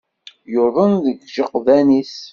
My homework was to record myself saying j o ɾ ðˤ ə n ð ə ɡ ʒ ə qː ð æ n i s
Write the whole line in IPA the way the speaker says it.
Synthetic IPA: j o ɾ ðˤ ə n ð ə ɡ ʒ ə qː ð æ n i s